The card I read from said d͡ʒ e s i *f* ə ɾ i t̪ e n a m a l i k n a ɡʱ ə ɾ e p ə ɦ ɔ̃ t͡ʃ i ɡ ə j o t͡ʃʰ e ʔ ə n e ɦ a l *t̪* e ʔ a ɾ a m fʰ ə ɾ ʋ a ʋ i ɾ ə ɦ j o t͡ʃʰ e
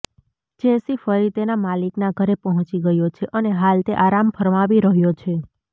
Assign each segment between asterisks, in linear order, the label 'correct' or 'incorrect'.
correct, correct

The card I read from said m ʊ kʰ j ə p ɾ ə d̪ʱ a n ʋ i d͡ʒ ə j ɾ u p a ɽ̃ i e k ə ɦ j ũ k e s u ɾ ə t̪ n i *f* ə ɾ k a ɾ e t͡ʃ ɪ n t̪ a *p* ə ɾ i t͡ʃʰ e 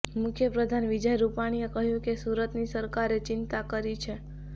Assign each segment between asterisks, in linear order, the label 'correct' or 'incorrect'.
incorrect: s, incorrect: k

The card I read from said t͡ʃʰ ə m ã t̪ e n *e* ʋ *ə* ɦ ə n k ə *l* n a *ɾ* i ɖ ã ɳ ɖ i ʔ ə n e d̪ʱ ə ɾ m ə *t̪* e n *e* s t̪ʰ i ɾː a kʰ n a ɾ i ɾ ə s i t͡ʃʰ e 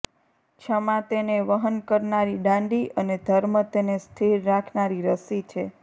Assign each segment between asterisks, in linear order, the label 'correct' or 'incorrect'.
correct, correct, incorrect: ɾ, correct, correct, correct

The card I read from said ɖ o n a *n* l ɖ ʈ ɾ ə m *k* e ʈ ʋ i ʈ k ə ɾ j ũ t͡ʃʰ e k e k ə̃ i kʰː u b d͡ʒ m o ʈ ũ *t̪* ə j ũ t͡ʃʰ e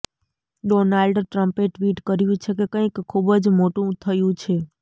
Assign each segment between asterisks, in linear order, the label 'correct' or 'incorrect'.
incorrect: none, incorrect: p, incorrect: t̪ʰ

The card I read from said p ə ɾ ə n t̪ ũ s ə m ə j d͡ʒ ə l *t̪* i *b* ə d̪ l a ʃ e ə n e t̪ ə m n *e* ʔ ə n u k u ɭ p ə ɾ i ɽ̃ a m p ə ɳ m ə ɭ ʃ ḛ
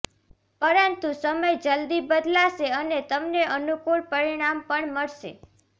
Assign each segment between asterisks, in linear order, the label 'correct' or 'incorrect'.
incorrect: d̪, correct, correct

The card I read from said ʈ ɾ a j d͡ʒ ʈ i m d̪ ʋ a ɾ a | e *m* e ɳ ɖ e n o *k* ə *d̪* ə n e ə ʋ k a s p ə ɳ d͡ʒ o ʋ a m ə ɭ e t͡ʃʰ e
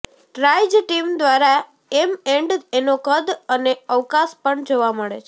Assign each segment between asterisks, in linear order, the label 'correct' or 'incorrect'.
correct, correct, correct

